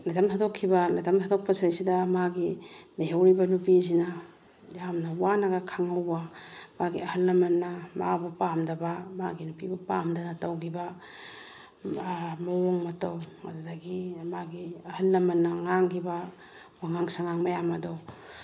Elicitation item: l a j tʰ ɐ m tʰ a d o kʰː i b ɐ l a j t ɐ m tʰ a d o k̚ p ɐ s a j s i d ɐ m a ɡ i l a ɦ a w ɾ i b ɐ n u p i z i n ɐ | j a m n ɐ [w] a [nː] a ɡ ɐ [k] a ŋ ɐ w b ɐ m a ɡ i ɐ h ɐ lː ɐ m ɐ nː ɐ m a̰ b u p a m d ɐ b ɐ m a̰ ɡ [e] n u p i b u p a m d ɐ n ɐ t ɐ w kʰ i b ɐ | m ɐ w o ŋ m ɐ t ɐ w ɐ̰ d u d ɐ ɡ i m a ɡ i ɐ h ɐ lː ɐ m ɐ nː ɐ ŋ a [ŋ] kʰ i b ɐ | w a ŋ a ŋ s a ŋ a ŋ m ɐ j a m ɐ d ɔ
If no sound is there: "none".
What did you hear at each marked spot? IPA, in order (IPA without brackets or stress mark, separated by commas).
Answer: w, n, kʰ, i, ŋ